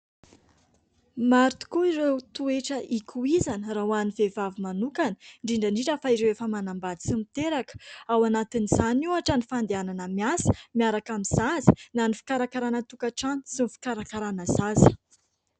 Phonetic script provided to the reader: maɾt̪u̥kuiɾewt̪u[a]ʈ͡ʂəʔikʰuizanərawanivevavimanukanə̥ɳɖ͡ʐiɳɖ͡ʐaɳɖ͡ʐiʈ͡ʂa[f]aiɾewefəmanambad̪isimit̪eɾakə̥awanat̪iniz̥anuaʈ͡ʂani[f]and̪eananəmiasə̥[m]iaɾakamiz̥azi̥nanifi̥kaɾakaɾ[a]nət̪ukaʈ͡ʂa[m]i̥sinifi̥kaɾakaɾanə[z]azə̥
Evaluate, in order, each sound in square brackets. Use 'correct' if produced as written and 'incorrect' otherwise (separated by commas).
incorrect, correct, correct, correct, correct, incorrect, correct